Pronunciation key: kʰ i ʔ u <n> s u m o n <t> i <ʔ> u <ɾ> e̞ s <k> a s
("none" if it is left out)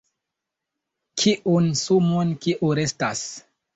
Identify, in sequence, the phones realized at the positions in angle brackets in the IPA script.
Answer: n, k, ʔ, ɾ, t

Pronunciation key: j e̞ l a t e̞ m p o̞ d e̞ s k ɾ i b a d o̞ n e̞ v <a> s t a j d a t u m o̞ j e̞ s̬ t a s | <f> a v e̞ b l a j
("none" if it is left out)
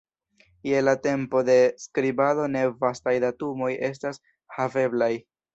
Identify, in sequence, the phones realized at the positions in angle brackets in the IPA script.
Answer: a, h

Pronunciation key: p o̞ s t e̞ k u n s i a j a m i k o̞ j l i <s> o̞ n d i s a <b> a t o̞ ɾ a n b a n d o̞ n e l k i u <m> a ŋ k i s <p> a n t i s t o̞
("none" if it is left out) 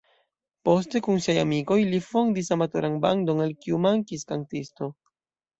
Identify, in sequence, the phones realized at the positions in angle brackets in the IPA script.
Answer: f, m, m, k

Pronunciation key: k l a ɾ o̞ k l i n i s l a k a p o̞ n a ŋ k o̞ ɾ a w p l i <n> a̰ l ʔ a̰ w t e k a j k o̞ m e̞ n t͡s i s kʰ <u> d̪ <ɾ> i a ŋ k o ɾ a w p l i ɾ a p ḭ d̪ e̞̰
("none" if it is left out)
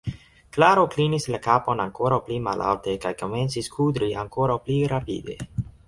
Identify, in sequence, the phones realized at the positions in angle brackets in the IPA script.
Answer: m, u, ɾ

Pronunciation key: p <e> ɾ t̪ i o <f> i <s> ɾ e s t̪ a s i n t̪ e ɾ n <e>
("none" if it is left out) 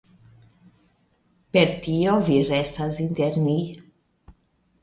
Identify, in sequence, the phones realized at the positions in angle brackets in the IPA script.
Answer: e, v, none, i

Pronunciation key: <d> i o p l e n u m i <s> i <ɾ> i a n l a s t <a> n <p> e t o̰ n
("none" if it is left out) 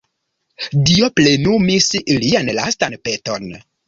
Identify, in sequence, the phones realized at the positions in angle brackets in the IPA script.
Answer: d, s, l, a, p

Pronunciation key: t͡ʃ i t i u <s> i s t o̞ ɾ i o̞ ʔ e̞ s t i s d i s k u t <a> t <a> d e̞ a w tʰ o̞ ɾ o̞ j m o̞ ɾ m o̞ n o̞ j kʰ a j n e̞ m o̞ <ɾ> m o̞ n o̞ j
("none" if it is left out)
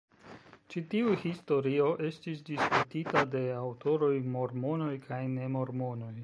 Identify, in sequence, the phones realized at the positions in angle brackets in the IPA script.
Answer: h, i, a, ɾ

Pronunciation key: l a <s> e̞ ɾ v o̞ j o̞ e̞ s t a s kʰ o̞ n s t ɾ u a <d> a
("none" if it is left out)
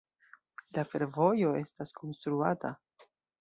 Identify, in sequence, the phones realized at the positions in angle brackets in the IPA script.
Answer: f, t

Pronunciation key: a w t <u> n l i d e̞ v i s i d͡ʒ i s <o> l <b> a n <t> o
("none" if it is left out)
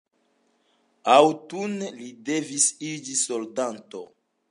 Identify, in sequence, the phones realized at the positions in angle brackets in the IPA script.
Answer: u, o, d, t

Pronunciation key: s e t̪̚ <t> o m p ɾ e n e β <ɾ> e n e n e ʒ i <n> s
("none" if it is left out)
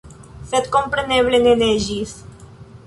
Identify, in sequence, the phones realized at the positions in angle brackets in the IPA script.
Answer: k, l, none

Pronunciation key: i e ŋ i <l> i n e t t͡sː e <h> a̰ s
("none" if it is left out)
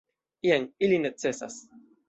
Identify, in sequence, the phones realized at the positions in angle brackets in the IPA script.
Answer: l, s

